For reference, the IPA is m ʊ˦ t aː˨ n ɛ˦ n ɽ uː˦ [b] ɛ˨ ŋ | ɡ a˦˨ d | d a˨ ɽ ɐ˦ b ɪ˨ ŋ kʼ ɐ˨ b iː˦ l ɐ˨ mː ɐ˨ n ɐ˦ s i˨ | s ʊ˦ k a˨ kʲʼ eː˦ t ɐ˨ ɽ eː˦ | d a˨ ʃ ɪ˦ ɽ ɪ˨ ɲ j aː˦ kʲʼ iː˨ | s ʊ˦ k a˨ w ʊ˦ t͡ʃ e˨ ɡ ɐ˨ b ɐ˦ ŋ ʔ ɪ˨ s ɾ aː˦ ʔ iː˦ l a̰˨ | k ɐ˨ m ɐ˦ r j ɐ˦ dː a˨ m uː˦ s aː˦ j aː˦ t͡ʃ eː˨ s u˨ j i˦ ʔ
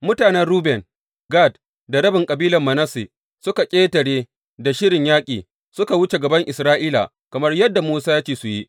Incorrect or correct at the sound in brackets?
correct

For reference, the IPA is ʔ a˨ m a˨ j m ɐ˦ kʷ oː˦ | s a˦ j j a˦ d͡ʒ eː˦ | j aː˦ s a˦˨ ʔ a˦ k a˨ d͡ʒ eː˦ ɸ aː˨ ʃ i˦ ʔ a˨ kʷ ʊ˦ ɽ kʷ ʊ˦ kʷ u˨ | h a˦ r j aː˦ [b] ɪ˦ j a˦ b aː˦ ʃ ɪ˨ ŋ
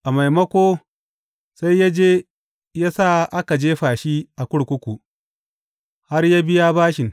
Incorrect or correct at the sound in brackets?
correct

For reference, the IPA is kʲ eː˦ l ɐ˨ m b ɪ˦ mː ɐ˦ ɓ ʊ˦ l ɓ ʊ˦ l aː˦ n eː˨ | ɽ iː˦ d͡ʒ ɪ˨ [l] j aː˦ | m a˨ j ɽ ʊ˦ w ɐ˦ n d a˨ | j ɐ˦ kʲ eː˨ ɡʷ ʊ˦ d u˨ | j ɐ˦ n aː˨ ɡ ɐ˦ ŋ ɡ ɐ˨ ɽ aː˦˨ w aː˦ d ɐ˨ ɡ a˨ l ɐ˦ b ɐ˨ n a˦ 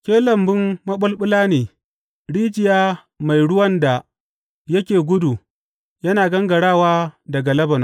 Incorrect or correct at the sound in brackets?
incorrect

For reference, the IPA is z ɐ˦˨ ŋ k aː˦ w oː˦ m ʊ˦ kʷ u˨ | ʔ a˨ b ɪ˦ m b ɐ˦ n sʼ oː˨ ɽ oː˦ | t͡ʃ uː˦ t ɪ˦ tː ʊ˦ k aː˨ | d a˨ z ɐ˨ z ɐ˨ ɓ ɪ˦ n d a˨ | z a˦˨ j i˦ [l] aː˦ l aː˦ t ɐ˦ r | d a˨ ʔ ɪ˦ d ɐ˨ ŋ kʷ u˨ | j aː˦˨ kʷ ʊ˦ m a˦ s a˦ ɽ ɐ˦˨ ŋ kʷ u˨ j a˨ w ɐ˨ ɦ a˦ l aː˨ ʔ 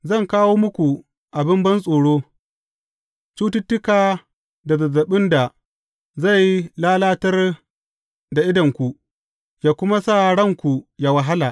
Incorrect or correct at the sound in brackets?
correct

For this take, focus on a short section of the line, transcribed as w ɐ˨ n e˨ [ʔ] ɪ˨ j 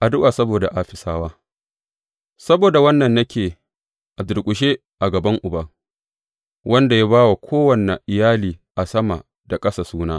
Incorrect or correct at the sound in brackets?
correct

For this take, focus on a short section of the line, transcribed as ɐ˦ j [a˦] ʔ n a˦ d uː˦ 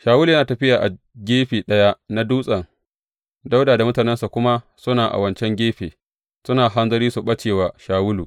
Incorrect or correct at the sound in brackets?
correct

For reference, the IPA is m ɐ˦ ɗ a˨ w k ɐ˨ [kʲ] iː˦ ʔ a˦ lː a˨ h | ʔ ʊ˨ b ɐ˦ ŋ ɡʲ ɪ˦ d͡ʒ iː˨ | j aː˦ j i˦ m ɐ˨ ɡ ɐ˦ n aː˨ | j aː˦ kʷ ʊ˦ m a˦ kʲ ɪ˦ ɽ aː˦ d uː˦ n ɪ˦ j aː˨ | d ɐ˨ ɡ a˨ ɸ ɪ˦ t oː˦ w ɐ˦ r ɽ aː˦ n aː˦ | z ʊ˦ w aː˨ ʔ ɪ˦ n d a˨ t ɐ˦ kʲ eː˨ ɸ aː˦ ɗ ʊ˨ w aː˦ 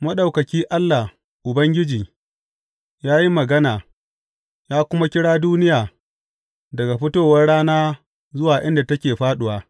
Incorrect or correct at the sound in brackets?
correct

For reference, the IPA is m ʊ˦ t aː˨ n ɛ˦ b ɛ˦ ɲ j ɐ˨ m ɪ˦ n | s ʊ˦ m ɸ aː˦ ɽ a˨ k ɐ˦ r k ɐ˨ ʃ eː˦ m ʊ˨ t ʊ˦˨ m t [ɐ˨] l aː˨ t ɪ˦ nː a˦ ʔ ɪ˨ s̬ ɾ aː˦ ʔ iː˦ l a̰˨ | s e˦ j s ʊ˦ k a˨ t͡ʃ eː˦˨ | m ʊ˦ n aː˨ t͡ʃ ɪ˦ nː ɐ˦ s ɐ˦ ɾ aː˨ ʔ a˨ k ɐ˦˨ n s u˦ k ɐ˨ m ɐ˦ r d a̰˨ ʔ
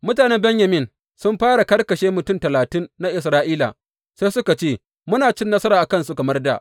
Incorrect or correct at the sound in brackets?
correct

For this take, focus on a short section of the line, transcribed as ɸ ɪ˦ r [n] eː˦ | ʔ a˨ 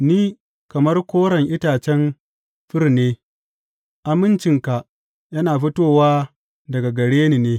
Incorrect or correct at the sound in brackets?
correct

